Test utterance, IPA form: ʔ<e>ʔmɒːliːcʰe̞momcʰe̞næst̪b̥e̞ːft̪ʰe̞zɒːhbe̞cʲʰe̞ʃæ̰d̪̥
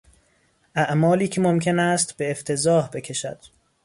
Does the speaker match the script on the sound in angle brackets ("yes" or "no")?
no